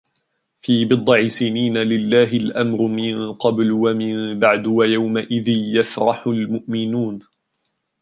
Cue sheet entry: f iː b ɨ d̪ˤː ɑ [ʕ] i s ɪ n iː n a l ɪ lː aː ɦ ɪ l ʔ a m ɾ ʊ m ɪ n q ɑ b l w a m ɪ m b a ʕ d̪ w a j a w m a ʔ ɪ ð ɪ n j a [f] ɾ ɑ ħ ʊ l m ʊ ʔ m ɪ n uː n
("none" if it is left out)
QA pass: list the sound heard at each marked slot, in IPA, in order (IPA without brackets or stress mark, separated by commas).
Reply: ʕ, f